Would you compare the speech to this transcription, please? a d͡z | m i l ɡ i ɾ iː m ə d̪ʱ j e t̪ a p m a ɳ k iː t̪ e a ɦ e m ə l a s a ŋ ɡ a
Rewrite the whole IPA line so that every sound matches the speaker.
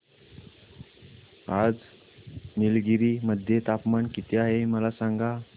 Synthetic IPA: a d͡z | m i l ɡ i ɾ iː m ə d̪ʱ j e t̪ a p m a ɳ k i t̪ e a ɦ e m ə l a s a ŋ ɡ a